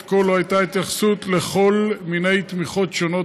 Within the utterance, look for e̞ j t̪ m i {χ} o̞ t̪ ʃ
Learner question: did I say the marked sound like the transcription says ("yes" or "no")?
yes